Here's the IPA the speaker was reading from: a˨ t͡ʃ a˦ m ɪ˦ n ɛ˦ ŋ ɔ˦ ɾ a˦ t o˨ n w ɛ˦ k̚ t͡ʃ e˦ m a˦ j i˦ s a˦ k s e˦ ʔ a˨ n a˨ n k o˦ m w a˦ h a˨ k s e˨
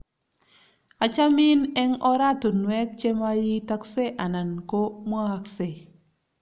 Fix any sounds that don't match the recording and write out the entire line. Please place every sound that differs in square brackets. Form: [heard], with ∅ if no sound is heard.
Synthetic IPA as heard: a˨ t͡ʃ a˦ m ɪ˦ n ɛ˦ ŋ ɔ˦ ɾ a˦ t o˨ n w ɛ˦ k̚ t͡ʃ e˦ m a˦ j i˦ [t] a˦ k s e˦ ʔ a˨ n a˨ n k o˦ m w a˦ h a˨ k s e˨